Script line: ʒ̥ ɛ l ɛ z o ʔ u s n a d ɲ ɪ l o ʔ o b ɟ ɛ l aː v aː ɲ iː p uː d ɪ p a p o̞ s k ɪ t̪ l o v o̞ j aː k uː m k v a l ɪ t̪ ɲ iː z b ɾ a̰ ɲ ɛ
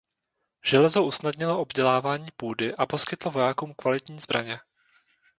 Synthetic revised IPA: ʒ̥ ɛ l ɛ z o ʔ u s n a d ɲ ɪ l o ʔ o b ɟ ɛ l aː v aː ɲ iː p uː d ɪ ʔ a p o̞ s k ɪ t̪ l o v o̞ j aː k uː m k v a l ɪ t̪ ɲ iː z b ɾ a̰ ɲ ɛ